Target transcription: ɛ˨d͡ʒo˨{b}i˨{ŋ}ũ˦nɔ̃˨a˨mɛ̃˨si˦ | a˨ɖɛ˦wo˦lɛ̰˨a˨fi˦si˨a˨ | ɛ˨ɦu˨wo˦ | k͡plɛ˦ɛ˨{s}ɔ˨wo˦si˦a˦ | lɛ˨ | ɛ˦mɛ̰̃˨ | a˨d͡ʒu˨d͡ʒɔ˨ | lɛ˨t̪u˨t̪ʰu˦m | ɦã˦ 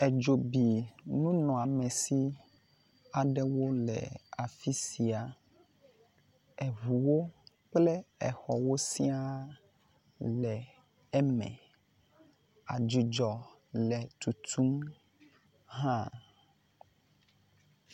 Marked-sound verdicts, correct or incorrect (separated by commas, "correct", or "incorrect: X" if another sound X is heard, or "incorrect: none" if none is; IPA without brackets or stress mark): correct, incorrect: n, incorrect: x